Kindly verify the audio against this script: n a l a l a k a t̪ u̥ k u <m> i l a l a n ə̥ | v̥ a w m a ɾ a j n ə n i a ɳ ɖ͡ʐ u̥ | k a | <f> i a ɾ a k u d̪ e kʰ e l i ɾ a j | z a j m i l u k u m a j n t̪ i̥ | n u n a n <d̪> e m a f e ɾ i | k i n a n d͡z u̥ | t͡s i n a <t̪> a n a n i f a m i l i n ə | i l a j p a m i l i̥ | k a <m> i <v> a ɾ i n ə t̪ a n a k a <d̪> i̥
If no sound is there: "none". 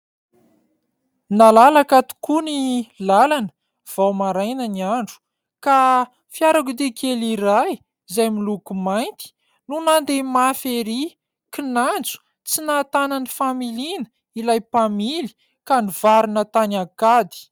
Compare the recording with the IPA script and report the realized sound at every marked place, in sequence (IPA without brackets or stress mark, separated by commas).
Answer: n, f, d̪, t̪, n, v, d̪